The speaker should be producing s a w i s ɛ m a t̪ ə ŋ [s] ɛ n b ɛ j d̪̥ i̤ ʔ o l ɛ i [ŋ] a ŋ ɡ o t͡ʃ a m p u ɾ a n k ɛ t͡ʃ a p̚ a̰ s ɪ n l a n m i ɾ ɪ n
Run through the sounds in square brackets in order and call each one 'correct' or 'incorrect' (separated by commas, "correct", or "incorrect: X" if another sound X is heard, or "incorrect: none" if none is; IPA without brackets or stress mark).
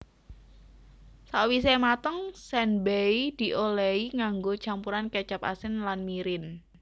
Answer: correct, correct